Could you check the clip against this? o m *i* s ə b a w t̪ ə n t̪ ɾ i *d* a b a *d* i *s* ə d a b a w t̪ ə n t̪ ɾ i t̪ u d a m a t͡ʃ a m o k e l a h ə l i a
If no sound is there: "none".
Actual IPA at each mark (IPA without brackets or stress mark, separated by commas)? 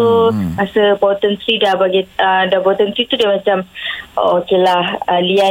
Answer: a, d, ɡ, none